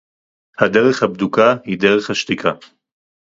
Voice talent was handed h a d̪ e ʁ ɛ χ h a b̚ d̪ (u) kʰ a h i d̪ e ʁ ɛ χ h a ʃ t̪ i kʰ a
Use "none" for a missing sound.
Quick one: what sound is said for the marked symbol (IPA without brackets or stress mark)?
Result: u